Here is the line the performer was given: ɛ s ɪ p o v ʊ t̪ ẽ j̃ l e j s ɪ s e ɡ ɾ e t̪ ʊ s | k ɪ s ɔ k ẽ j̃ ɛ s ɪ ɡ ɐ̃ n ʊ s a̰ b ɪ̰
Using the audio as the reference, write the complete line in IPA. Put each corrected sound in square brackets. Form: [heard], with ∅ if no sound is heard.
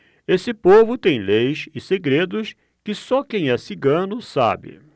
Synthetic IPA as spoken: [e] s ɪ p o v ʊ t̪ ẽ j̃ l e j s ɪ s e ɡ ɾ e [d̪] ʊ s | k ɪ s ɔ k ẽ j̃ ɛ s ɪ ɡ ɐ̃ n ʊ s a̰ b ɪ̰